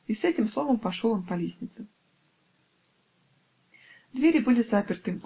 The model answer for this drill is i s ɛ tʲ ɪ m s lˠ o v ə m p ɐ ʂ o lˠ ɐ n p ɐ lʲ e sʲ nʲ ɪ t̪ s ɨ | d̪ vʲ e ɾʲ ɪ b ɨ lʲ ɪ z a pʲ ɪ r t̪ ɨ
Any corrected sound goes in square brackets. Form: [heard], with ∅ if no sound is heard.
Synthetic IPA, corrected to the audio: i s ɛ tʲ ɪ m s lˠ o v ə m p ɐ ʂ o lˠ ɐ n p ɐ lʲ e sʲ nʲ ɪ t̪ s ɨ | d̪ vʲ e ɾʲ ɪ b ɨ lʲ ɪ z a pʲ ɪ r t̪ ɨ